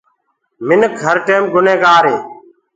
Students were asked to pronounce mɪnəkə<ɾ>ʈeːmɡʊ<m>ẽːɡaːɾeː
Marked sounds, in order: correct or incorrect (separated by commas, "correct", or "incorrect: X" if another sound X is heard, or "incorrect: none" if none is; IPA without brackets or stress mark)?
correct, incorrect: n